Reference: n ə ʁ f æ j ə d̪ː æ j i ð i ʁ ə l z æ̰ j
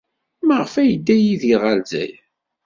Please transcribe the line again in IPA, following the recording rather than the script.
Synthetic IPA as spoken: m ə ʁ f æ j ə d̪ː æ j i ð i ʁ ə l z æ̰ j